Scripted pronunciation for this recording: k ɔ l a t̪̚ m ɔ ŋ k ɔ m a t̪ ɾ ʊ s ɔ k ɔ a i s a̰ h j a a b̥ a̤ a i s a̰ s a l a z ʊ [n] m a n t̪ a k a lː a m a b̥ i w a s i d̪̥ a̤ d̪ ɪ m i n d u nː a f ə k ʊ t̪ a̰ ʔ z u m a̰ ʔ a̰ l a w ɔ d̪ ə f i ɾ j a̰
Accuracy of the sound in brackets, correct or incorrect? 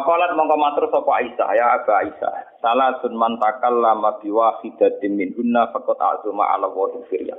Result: correct